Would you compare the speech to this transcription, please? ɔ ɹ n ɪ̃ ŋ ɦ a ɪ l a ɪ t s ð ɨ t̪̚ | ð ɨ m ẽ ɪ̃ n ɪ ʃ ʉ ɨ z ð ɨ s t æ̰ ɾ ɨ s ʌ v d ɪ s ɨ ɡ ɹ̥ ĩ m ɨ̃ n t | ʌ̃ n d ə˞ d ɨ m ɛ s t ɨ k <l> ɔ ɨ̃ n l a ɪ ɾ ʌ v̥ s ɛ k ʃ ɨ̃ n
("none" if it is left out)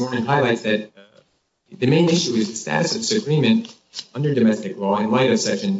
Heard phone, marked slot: l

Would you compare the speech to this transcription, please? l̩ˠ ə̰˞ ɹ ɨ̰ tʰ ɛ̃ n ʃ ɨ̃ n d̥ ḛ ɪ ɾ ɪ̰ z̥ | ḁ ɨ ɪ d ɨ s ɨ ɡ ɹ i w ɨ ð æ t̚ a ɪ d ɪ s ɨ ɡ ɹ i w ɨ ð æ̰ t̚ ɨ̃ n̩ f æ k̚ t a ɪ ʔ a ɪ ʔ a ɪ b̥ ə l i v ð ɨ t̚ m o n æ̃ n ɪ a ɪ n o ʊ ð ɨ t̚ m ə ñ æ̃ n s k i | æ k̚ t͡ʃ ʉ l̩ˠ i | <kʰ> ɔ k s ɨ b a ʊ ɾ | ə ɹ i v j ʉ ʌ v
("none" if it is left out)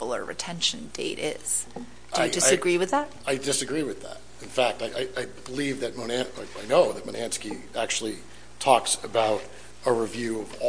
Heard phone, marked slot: tʰ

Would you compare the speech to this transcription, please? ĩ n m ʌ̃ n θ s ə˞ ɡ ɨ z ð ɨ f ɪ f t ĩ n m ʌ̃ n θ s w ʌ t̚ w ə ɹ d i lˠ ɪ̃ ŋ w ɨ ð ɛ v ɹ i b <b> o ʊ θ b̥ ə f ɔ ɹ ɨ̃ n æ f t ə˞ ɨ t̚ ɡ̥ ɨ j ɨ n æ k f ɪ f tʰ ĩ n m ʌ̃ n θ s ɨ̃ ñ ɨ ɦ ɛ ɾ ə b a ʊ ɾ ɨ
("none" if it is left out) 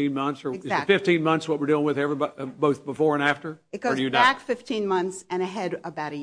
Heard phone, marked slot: b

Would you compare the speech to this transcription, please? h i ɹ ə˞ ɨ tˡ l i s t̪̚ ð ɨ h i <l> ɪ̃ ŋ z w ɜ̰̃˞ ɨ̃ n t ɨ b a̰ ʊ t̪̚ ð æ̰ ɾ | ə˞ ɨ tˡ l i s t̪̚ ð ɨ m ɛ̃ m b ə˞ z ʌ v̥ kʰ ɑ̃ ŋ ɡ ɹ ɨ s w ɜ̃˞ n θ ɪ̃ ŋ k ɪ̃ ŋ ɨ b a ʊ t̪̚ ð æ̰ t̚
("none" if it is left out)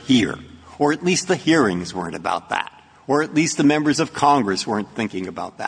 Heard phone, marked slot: ɹ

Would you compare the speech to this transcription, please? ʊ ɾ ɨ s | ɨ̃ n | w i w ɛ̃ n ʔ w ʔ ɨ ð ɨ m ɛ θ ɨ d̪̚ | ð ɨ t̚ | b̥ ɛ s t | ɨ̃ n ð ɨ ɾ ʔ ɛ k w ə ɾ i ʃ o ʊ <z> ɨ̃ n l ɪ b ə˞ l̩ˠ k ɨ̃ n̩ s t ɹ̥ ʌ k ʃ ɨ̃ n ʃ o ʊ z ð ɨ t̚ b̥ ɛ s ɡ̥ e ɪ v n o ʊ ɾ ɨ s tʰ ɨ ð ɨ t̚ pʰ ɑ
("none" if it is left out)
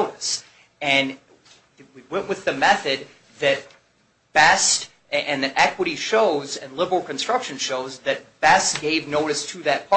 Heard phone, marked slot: z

